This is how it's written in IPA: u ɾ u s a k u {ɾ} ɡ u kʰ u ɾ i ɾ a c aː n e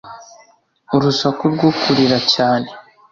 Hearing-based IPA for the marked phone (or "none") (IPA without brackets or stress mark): ɾ